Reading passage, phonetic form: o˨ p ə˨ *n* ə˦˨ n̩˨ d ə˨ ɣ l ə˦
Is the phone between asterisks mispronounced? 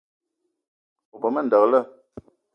yes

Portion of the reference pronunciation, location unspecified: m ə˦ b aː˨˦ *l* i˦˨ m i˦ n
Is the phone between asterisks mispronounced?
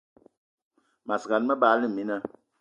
no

